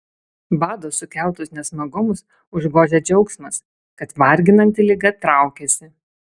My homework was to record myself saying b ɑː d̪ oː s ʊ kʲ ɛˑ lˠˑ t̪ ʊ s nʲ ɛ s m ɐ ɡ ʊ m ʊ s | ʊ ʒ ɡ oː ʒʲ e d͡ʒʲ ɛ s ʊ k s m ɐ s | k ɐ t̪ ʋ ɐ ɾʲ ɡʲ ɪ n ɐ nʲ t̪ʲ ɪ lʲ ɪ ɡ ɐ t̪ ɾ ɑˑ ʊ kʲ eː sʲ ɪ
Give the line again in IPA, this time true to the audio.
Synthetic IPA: b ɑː d̪ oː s ʊ kʲ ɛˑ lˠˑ t̪ ʊ s nʲ ɛ s m ɐ ɡ ʊ m ʊ s | ʊ ʒ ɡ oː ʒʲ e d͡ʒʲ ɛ ʊ k s m ɐ s | k ɐ t̪ ʋ ɐ ɾʲ ɡʲ ɪ n ɐ nʲ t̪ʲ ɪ lʲ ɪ ɡ ɐ t̪ ɾ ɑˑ ʊ kʲ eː sʲ ɪ